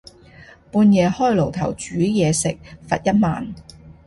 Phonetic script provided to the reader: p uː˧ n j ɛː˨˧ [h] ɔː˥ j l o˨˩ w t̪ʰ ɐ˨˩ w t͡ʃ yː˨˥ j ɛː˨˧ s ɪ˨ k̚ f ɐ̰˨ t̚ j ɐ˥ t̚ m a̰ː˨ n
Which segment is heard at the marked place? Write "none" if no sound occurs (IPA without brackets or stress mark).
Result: h